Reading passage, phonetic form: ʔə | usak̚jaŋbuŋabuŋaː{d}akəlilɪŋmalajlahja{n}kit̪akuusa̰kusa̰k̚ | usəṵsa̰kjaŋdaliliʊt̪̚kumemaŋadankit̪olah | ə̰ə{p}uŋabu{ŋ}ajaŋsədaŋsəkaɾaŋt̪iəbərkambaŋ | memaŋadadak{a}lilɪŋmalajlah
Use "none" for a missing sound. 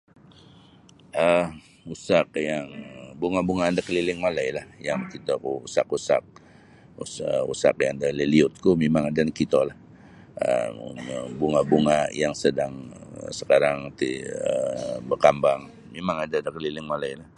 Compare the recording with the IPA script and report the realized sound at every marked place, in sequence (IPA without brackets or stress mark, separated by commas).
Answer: d, ŋ, b, ŋ, ə